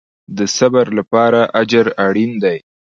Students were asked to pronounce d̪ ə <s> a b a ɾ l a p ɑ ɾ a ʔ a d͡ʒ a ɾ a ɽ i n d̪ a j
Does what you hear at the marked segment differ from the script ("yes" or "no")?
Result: no